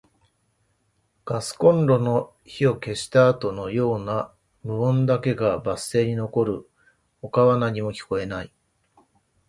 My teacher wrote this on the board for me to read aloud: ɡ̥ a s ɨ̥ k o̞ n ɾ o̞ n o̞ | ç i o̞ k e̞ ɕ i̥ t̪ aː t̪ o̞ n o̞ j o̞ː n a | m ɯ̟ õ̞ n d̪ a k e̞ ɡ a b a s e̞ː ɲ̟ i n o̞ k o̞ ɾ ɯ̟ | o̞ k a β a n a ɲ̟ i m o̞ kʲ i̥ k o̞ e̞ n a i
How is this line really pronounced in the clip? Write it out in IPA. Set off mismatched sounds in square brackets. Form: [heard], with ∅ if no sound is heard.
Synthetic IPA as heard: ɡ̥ a s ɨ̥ k [õ̞] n ɾ o̞ n o̞ | ç i o̞ k e̞ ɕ i̥ t̪ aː t̪ o̞ n o̞ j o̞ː n a | m ɯ̟ õ̞ n d̪ a k e̞ ɡ a b a s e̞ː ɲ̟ i n o̞ k o̞ ɾ ɯ̟ | o̞ k a β a n a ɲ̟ i m o̞ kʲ i̥ k o̞ e̞ n a i

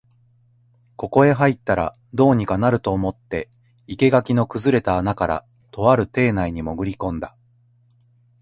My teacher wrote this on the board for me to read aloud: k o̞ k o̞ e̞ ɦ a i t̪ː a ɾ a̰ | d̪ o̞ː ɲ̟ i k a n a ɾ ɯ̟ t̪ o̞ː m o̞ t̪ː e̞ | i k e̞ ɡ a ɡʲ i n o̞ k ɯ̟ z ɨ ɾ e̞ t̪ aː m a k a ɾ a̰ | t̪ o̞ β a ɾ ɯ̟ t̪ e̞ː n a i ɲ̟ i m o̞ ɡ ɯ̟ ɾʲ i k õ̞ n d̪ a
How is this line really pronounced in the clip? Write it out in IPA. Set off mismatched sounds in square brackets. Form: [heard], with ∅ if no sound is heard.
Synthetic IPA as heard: k o̞ k o̞ e̞ ɦ a i t̪ː a ɾ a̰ | d̪ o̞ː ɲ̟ i k a n a ɾ ɯ̟ t̪ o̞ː m o̞ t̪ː e̞ | i k e̞ ɡ a [kʲ] i n o̞ k ɯ̟ z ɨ ɾ e̞ t̪ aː [n] a k a ɾ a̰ | t̪ o̞ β a ɾ ɯ̟ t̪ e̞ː n a i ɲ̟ i m o̞ ɡ ɯ̟ ɾʲ i k õ̞ n d̪ a

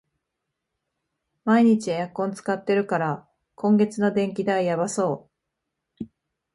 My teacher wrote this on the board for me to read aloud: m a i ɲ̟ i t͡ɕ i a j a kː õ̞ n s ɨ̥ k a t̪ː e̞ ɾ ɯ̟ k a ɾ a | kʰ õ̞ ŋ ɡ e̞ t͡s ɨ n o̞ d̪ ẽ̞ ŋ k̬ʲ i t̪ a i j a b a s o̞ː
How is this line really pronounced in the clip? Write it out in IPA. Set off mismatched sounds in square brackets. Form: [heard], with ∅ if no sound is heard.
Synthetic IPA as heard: m a i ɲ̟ i t͡ɕ i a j a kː õ̞ n [t͡s] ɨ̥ k a t̪ː e̞ ɾ ɯ̟ k a ɾ a | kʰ õ̞ ŋ ɡ e̞ t͡s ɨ n o̞ d̪ ẽ̞ ŋ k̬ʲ i [d̪] a i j a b a s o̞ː

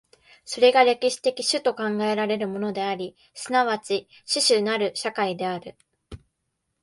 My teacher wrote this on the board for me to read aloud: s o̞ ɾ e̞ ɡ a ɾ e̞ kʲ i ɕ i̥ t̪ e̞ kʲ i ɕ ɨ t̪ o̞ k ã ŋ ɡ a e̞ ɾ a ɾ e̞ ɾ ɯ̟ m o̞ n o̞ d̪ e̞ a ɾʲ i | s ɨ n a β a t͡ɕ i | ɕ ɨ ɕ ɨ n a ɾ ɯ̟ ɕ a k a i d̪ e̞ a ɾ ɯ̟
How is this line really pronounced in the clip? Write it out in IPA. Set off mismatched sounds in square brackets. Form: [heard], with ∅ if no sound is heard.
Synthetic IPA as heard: s o̞ ɾ e̞ ɡ a ɾ e̞ kʲ i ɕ i̥ t̪ e̞ kʲ i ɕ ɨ t̪ o̞ k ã ŋ ɡ a e̞ ɾ a ɾ e̞ ɾ ɯ̟ m o̞ n o̞ d̪ e̞ a ɾʲ i | s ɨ n a β a t͡ɕ i | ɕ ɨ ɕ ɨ n a ɾ ɯ̟ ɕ a k a i d̪ e̞ a ɾ ɯ̟

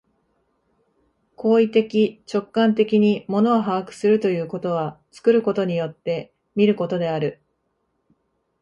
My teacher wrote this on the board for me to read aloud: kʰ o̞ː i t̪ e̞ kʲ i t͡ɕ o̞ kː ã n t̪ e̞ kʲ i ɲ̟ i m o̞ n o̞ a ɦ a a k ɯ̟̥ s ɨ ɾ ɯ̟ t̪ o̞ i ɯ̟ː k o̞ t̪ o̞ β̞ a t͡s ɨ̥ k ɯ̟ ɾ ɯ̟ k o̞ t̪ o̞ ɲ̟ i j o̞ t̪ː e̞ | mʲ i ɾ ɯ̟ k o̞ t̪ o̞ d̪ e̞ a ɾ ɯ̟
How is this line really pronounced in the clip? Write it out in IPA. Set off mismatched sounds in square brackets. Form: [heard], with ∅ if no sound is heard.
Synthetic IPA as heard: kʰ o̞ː i t̪ e̞ kʲ i t͡ɕ o̞ kː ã n t̪ e̞ kʲ i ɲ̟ i m o̞ n o̞ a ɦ a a k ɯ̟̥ s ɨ ɾ ɯ̟ t̪ o̞ [j] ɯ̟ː k o̞ t̪ o̞ β̞ a t͡s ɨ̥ k ɯ̟ ɾ ɯ̟ k o̞ t̪ o̞ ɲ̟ i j o̞ t̪ː e̞ | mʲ i ɾ ɯ̟ k o̞ t̪ o̞ d̪ e̞ a ɾ ɯ̟

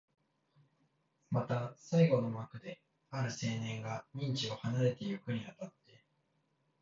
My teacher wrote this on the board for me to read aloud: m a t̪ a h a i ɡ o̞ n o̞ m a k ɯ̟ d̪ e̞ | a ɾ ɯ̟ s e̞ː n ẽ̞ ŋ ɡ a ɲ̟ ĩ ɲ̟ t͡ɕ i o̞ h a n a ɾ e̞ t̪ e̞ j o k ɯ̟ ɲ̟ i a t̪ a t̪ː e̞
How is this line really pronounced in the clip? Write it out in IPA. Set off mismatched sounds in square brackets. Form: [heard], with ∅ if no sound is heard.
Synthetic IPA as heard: m a t̪ a [s] a i ɡ o̞ n o̞ m a k ɯ̟ d̪ e̞ | a ɾ ɯ̟ s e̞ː n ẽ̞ ŋ ɡ a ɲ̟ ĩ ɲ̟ t͡ɕ i o̞ h a n a ɾ e̞ t̪ e̞ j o k ɯ̟ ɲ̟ i a t̪ a t̪ː e̞

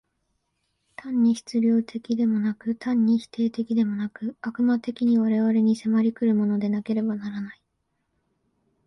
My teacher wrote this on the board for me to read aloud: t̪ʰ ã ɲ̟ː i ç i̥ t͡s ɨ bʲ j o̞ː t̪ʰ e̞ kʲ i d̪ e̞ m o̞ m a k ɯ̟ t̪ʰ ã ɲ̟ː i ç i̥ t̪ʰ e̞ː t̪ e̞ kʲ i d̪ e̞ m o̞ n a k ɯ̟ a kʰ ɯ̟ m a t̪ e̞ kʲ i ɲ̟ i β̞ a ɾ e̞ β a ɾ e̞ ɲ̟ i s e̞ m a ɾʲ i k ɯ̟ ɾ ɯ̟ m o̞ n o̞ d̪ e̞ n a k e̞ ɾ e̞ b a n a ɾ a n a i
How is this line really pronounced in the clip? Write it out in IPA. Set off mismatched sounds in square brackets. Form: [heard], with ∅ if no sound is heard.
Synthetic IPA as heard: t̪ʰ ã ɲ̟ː i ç i̥ t͡s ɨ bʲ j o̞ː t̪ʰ e̞ kʲ i d̪ e̞ m o̞ [n] a k ɯ̟ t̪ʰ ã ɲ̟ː i ç i̥ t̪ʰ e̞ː t̪ e̞ kʲ i d̪ e̞ m o̞ n a k ɯ̟ a [k] ɯ̟ m a t̪ e̞ kʲ i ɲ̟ i β̞ a ɾ e̞ β a ɾ e̞ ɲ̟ i s e̞ m a ɾʲ i k ɯ̟ ɾ ɯ̟ m o̞ n o̞ d̪ e̞ n a k e̞ ɾ e̞ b a n a ɾ a n a i

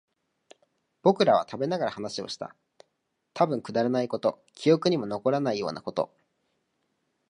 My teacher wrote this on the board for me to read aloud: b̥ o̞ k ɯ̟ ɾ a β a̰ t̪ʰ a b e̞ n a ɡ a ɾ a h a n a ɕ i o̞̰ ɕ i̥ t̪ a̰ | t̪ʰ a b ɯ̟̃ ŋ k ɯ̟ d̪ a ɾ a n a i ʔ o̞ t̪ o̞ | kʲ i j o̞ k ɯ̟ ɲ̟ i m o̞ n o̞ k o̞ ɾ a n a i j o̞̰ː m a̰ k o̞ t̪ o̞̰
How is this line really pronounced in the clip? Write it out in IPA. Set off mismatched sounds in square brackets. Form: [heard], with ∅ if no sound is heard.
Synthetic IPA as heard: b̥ o̞ k ɯ̟ ɾ a β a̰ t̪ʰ a b e̞ n a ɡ a ɾ a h a n a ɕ i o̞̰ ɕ i̥ t̪ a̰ | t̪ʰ a b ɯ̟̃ ŋ k ɯ̟ d̪ a ɾ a n a i [k] o̞ t̪ o̞ | kʲ i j o̞ k ɯ̟ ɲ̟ i m o̞ n o̞ k o̞ ɾ a n a i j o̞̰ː [n] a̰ k o̞ t̪ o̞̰

